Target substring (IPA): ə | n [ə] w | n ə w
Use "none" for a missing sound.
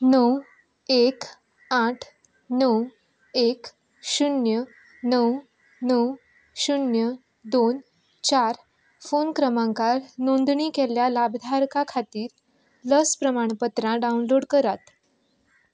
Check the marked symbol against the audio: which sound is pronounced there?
ə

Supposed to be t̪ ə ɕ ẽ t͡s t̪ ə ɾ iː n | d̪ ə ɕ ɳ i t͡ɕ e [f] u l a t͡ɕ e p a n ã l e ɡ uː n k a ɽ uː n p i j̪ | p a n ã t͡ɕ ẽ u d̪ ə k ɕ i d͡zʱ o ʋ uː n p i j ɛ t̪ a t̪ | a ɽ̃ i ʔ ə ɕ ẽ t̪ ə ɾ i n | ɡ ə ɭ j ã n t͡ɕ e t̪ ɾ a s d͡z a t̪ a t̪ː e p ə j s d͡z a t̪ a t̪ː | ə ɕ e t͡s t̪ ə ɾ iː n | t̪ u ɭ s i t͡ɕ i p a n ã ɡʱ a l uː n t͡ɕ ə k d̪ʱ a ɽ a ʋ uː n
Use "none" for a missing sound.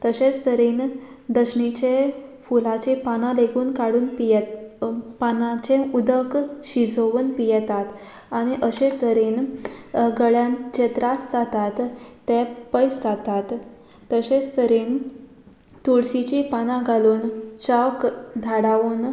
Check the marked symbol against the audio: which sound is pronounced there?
f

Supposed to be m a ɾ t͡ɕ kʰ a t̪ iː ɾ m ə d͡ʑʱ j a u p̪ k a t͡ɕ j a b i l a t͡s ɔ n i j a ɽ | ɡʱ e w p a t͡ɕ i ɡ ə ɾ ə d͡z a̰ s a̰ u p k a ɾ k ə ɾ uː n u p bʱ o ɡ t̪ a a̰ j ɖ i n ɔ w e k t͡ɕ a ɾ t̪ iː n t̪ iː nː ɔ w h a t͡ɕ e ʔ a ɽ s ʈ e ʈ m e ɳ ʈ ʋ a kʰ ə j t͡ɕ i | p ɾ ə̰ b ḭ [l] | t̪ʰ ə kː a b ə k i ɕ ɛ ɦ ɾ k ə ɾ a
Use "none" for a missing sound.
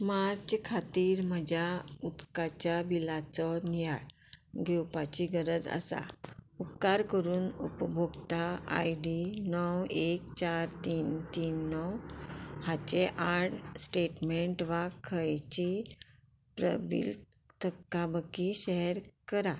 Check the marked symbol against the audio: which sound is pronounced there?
l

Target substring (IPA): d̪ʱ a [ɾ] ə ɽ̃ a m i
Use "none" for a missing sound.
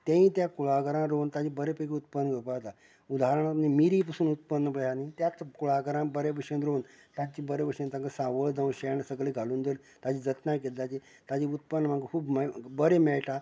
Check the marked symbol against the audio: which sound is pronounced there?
ɾ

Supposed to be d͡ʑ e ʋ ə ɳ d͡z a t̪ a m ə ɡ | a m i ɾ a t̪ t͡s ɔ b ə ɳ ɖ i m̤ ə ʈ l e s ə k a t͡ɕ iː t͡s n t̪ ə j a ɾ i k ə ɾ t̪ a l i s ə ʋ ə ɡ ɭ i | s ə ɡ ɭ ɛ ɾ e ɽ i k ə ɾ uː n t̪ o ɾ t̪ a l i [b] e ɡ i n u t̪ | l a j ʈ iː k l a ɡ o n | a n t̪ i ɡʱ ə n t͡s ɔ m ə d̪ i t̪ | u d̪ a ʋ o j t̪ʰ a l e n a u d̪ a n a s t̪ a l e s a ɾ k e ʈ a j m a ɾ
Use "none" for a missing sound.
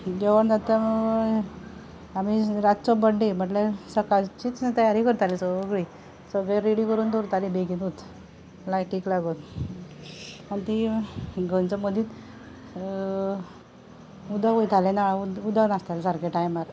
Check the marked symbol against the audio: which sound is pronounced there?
b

